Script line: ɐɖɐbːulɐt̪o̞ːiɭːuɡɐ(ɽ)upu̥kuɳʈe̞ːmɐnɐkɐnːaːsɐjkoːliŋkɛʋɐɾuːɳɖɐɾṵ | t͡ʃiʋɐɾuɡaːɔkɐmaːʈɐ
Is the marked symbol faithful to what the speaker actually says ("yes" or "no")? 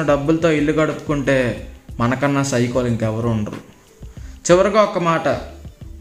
yes